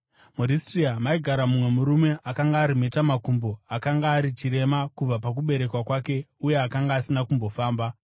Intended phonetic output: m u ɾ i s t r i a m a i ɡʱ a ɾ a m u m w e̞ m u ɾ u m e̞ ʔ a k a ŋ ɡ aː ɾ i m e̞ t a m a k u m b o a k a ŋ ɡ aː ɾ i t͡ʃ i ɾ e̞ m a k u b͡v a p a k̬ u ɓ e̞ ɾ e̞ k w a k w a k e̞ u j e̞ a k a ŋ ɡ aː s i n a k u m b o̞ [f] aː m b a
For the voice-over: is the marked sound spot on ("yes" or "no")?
yes